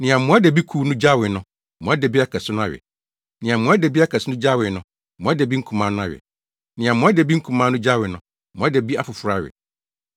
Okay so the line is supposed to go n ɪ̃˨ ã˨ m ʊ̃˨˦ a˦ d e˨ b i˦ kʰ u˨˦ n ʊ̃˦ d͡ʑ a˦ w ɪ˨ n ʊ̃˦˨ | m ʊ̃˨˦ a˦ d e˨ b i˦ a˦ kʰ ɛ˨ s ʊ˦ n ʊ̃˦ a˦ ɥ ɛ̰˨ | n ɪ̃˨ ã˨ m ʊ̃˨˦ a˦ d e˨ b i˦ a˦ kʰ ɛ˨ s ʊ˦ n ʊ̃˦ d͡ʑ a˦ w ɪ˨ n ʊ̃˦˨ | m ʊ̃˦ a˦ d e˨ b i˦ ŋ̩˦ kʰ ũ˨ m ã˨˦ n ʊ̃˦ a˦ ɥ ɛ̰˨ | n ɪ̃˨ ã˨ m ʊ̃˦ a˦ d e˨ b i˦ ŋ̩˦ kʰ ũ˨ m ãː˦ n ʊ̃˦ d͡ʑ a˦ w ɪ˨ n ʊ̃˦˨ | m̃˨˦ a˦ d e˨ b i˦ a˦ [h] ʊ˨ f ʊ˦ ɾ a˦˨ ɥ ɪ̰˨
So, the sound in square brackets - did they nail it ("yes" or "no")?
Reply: no